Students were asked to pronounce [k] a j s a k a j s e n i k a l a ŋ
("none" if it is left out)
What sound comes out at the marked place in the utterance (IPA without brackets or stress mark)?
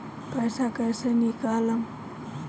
p